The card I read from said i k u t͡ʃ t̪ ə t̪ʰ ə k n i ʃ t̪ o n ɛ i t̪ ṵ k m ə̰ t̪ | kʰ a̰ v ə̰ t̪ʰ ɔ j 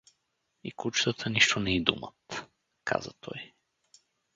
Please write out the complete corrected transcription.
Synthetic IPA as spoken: i k u t͡ʃ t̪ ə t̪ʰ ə n i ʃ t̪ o n ɛ i d̪ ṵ m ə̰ t̪ | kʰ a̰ z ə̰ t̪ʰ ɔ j